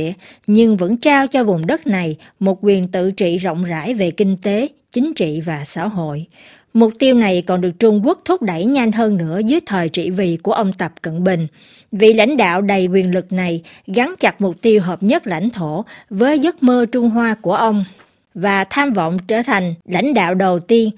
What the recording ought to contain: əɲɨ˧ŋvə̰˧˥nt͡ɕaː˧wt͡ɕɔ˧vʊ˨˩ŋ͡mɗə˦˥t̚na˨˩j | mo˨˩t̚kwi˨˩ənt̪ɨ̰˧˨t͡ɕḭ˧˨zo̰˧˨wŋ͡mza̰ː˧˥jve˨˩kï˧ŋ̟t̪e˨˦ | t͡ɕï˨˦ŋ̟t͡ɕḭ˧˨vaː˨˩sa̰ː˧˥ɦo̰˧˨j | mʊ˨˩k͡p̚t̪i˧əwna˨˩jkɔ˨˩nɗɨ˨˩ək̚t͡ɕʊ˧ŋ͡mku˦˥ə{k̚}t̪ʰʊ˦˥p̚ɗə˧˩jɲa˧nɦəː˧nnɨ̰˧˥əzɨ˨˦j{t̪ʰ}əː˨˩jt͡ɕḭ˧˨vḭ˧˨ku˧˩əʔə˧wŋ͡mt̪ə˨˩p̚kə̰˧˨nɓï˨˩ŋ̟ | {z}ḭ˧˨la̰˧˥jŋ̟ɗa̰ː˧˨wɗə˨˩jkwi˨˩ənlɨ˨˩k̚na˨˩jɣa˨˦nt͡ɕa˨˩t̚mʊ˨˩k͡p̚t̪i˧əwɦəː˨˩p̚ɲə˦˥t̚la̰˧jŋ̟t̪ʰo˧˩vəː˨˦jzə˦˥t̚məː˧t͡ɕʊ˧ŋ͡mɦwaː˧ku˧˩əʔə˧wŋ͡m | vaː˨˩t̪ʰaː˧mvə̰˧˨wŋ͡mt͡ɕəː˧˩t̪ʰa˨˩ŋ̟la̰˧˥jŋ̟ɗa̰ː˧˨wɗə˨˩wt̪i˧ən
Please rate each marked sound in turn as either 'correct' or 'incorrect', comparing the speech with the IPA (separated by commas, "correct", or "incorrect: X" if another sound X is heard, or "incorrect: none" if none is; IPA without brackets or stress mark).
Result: correct, correct, incorrect: v